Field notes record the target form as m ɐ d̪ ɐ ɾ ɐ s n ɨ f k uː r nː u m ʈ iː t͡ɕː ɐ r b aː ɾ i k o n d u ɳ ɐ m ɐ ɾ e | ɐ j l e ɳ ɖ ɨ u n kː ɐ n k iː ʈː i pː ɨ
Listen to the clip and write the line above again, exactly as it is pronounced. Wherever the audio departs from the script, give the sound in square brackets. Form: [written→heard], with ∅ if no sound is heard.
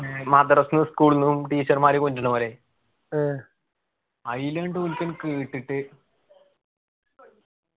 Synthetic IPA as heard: m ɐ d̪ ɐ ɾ ɐ s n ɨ [f→s] k uː [r→ɭ] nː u m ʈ iː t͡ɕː ɐ r [b→m] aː ɾ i k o n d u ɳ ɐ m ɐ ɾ e | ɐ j l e ɳ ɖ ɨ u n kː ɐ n k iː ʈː i [pː→ʈː] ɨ

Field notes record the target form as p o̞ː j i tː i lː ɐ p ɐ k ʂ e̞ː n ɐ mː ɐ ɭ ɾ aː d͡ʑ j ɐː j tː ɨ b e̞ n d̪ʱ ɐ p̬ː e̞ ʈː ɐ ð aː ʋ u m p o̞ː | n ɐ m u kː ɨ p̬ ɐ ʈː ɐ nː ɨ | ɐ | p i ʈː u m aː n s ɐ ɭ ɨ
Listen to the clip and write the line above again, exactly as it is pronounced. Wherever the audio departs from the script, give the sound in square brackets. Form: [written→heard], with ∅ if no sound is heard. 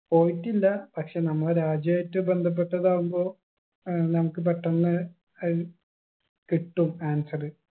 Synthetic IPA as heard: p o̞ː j i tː i lː ɐ p ɐ k ʂ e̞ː n ɐ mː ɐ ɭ ɾ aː d͡ʑ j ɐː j tː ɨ b e̞ n d̪ʱ ɐ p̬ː e̞ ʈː ɐ ð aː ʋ u m [p→b] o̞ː | n ɐ m u kː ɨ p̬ ɐ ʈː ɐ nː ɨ | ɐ | [p→k] i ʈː u m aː n s ɐ [ɭ→r] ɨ

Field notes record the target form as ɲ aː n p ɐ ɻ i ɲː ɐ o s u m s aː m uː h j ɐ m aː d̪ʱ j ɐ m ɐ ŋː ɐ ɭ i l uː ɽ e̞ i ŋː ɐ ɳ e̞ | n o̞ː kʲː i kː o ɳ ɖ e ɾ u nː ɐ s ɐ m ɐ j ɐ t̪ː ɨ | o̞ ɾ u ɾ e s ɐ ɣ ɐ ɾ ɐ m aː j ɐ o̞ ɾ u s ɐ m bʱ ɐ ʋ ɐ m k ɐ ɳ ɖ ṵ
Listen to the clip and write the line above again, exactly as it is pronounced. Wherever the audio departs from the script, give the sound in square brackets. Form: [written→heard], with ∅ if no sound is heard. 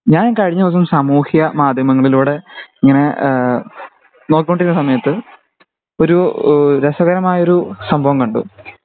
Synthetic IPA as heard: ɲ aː n [p→k] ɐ ɻ i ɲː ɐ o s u m s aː m uː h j ɐ m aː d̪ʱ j ɐ m ɐ ŋː ɐ ɭ i l uː ɽ e̞ i ŋː ɐ [ɳ→n] e̞ | n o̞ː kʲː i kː o ɳ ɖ [e→i] ɾ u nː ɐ s ɐ m ɐ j ɐ t̪ː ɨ | o̞ ɾ u ɾ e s ɐ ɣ ɐ ɾ ɐ m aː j ɐ o̞ ɾ u s ɐ m bʱ ɐ ʋ ɐ m k ɐ ɳ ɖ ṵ

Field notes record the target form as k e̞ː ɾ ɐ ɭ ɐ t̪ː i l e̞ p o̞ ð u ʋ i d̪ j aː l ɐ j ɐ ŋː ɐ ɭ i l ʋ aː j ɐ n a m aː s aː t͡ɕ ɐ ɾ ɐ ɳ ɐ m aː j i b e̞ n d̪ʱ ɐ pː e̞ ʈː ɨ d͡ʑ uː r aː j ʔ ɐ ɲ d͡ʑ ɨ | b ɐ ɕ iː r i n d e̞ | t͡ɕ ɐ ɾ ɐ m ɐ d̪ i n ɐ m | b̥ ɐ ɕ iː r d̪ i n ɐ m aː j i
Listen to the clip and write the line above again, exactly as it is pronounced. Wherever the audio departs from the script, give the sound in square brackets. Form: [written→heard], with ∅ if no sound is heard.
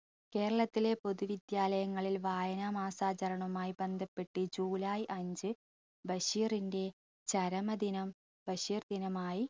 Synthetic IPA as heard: k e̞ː ɾ ɐ ɭ ɐ t̪ː i l e̞ p o̞ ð u ʋ i d̪ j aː l ɐ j ɐ ŋː ɐ ɭ i l ʋ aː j ɐ n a m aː s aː t͡ɕ ɐ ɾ ɐ ɳ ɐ m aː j i b e̞ n d̪ʱ ɐ pː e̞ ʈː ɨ d͡ʑ uː [r→l] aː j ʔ ɐ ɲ d͡ʑ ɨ | b ɐ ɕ iː r i n d e̞ | t͡ɕ ɐ ɾ ɐ m ɐ d̪ i n ɐ m | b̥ ɐ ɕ iː r d̪ i n ɐ m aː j i

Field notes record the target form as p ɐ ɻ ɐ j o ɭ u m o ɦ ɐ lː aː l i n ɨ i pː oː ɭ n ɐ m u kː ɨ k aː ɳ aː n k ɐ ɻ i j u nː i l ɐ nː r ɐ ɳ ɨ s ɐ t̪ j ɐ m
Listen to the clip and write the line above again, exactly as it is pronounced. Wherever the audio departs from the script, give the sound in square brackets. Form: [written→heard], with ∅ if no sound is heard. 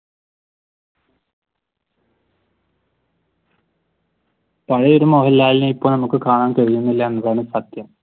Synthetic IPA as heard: p ɐ ɻ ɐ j o [ɭ→ɾ] u m o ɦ ɐ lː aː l i n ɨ i pː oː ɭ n ɐ m u kː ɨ k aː ɳ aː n k ɐ ɻ i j u nː i [l→lː] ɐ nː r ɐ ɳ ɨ s ɐ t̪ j ɐ m

